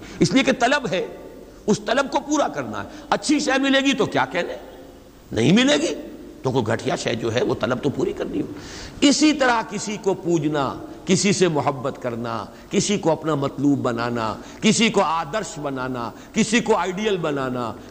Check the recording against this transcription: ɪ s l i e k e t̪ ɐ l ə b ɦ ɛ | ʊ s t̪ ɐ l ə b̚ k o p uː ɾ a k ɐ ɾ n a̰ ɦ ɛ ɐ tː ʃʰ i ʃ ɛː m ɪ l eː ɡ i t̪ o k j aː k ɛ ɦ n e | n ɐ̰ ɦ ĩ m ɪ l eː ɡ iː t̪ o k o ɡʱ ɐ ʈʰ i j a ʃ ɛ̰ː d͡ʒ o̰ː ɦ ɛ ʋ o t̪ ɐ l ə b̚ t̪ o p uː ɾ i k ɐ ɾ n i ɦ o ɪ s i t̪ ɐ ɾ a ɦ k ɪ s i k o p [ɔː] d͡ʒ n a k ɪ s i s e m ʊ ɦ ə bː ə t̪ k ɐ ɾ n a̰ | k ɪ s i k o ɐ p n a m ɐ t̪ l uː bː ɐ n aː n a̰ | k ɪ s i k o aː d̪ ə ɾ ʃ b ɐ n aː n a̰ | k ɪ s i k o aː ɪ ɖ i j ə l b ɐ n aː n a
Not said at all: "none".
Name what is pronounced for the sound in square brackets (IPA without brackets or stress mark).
uː